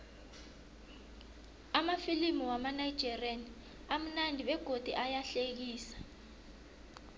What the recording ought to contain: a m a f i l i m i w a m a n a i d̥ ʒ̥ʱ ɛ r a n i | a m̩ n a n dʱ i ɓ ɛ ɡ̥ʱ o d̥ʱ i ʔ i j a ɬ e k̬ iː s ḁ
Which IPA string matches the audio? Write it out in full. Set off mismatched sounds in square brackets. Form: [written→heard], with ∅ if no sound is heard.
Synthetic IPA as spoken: a m a f i l i m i w a m a n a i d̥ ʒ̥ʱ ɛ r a n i | a m̩ n a n dʱ i ɓ ɛ ɡ̥ʱ o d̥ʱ i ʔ [i→a] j a ɬ e k̬ iː s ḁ